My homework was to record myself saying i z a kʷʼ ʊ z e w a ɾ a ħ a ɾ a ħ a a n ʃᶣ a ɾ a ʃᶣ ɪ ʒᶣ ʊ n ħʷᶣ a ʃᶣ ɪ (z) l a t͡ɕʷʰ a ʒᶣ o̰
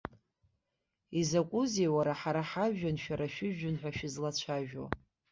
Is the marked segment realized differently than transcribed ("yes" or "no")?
no